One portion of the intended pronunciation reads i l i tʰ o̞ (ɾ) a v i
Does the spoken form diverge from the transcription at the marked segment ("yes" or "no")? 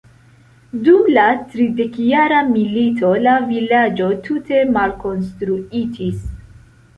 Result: yes